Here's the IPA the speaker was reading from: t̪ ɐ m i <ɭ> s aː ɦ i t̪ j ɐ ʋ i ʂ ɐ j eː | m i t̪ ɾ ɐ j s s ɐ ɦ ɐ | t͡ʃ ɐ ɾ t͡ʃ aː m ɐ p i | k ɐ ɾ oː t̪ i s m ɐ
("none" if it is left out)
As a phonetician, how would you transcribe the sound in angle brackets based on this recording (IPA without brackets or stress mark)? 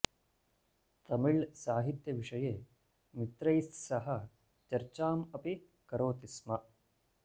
ɭ